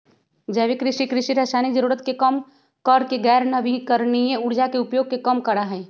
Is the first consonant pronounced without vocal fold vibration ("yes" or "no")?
no